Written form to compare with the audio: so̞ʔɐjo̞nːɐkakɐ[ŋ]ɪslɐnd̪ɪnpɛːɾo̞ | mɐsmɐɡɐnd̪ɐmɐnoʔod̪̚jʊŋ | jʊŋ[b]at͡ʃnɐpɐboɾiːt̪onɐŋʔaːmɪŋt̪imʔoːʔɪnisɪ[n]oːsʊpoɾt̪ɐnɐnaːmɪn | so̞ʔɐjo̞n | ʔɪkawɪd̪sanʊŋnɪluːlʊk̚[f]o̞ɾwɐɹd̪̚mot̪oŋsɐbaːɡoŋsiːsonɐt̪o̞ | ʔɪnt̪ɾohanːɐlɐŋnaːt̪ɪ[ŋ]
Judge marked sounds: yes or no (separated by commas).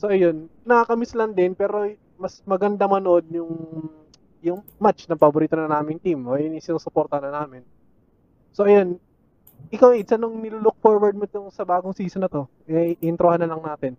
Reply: no, no, yes, yes, no